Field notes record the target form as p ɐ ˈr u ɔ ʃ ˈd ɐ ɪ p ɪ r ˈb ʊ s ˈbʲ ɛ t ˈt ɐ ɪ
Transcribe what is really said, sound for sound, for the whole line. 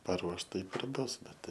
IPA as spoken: p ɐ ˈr u ɔ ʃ ˈt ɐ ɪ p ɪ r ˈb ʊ s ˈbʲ ɛ t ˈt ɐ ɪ